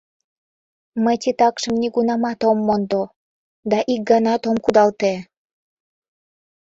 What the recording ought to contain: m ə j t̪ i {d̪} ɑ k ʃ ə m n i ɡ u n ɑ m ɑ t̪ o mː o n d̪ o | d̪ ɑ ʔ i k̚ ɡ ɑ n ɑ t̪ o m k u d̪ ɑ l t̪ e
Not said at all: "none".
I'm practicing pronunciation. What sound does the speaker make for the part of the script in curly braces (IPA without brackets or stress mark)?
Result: t̪